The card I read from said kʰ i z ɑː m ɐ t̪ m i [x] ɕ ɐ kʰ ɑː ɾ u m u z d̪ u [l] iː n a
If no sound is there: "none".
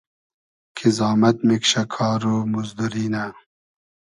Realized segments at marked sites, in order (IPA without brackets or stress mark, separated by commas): k, ɾ